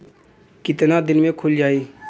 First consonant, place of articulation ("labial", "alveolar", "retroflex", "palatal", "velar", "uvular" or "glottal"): velar